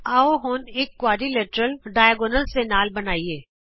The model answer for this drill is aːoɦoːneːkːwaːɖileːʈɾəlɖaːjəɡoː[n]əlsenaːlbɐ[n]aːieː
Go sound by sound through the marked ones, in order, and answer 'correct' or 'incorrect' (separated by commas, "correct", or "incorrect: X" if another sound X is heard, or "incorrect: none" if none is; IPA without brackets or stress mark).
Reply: correct, correct